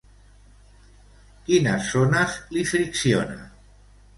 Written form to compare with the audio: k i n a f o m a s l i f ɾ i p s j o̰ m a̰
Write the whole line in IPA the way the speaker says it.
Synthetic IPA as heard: k i n a s o n a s l i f ɾ i k s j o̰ n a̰